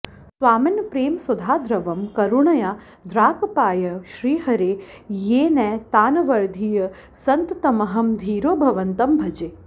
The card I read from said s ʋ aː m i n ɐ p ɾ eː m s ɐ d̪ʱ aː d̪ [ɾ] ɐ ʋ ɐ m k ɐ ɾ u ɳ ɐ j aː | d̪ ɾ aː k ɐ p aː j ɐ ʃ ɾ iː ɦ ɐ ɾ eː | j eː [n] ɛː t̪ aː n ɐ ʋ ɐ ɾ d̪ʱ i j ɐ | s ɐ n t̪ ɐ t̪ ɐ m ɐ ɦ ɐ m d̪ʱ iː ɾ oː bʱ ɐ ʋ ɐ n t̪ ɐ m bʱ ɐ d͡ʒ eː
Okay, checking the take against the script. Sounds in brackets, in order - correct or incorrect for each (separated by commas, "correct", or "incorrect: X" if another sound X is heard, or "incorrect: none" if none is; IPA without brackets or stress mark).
correct, correct